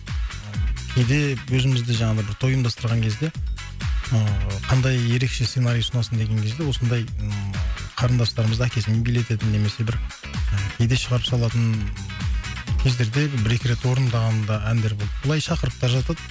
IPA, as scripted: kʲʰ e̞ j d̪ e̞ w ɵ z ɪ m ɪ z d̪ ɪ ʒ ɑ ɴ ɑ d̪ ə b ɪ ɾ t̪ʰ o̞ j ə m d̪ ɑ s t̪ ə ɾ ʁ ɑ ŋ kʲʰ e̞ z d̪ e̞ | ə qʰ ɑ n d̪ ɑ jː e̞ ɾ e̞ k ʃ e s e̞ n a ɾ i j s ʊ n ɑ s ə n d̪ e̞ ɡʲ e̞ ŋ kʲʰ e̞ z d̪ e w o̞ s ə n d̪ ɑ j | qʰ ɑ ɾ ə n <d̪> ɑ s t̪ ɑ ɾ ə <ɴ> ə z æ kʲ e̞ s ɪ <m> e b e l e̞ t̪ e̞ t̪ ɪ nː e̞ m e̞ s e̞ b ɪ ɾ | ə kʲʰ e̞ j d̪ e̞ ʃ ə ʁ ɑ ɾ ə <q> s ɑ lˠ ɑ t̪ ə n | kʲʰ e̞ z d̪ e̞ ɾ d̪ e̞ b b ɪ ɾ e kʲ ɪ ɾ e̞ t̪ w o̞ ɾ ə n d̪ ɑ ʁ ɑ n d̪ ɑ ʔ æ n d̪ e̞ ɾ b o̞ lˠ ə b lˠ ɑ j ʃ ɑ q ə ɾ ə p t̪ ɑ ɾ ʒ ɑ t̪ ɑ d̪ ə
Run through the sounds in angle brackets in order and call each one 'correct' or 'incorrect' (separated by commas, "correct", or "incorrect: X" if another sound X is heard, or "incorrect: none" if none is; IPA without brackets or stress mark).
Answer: correct, incorrect: m, correct, incorrect: p